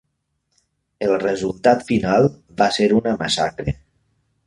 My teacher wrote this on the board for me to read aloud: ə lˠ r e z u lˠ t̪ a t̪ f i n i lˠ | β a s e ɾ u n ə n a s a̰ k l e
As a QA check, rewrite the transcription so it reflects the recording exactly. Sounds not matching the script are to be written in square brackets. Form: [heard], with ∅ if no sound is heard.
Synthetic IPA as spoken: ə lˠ r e z u lˠ t̪ a t̪ f i n [a] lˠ | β a s e ɾ u n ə [m] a s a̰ k [ɾ] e